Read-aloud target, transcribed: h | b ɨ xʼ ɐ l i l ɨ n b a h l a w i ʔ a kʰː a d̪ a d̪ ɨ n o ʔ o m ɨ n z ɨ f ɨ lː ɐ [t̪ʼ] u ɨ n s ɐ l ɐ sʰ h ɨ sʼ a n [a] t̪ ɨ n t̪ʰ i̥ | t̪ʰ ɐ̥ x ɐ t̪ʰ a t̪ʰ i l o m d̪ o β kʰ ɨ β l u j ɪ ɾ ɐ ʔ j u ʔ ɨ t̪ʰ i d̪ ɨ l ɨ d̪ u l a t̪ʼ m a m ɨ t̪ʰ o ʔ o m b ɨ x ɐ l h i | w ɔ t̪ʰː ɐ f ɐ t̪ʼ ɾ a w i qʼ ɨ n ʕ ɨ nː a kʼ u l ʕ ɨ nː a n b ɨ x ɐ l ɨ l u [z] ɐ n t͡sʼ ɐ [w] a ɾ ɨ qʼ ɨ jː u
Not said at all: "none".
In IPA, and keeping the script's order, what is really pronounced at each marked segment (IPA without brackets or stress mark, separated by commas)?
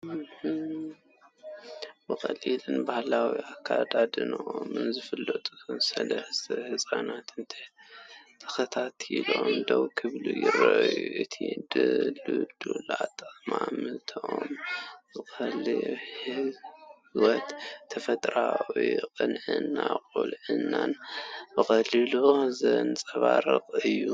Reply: t̪ʼ, a, z, β